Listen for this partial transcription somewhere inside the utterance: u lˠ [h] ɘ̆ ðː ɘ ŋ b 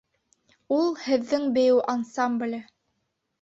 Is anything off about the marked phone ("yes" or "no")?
no